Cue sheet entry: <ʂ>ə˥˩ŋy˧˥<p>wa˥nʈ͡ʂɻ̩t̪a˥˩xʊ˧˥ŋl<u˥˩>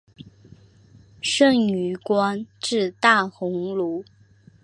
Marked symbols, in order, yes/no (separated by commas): yes, no, no